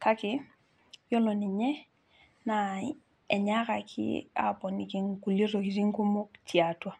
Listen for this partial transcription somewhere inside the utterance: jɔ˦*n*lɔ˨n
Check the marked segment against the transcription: incorrect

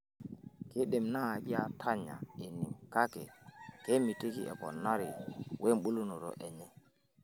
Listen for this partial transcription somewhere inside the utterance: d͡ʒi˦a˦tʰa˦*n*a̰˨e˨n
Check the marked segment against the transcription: incorrect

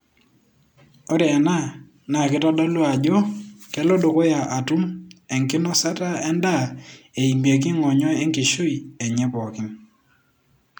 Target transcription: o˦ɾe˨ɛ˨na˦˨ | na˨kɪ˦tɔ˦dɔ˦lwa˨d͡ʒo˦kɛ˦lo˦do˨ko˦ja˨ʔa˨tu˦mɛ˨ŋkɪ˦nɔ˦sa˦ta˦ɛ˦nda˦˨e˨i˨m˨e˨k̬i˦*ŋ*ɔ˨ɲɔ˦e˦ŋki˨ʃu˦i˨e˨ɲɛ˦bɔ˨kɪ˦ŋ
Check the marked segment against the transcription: correct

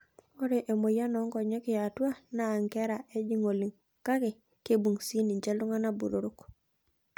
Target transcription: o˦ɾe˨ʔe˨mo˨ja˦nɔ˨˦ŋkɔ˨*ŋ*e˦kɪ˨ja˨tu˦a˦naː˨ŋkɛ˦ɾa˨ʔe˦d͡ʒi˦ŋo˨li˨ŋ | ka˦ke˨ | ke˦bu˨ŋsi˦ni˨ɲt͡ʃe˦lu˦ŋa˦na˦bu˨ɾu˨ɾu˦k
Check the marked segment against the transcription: incorrect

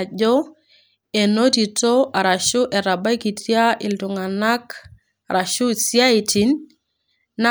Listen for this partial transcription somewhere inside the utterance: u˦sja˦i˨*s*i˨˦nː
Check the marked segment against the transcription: incorrect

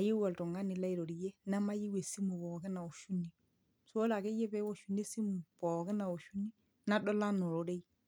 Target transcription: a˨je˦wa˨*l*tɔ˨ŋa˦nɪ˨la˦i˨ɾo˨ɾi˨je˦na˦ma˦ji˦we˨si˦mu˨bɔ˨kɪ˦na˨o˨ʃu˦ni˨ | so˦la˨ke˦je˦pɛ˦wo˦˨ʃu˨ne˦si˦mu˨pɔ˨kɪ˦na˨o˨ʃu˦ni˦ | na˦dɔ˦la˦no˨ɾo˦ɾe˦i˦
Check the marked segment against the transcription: correct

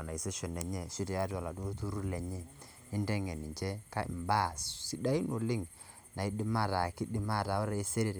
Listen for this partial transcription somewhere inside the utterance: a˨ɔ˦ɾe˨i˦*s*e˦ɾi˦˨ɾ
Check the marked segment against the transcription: correct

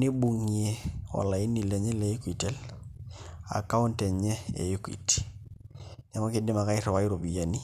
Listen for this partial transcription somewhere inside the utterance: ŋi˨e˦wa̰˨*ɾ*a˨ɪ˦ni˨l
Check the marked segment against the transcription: incorrect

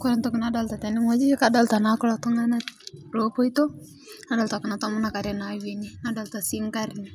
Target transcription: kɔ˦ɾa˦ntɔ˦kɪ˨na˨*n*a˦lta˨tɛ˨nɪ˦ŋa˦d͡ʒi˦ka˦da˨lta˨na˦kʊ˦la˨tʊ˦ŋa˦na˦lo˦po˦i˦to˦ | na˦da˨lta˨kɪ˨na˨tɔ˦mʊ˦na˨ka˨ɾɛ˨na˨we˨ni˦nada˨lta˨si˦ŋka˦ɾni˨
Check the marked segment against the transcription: incorrect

